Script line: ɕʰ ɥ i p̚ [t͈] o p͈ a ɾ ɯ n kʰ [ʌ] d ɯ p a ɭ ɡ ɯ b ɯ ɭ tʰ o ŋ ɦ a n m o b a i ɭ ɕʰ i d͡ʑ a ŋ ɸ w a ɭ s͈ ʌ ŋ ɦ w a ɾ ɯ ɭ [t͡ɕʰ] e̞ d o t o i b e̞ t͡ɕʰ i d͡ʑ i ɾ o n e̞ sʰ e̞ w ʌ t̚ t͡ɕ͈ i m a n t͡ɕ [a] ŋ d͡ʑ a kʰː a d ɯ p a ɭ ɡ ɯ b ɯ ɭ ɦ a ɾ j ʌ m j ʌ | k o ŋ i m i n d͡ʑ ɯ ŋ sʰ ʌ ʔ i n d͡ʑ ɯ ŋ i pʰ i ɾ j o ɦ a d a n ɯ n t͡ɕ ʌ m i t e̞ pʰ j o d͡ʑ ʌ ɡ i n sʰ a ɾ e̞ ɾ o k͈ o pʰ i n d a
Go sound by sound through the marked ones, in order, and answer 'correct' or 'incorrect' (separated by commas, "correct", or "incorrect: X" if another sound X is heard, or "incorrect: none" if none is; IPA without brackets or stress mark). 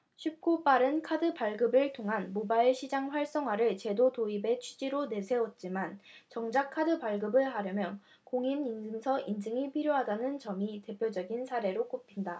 incorrect: k͈, incorrect: a, incorrect: t͡ɕ, incorrect: ʌ